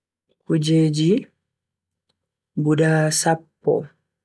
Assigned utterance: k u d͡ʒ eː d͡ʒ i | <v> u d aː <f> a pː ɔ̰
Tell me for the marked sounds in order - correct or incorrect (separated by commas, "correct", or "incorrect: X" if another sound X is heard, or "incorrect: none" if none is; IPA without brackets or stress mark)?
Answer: incorrect: b, incorrect: s